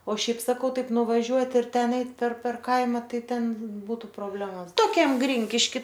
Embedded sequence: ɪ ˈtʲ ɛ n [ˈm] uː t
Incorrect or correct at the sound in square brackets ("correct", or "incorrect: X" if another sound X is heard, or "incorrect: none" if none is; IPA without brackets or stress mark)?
incorrect: b